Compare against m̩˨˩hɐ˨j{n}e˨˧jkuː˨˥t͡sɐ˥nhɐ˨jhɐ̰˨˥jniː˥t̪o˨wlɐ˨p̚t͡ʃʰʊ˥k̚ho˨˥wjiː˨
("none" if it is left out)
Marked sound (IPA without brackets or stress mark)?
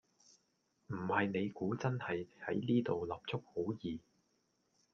n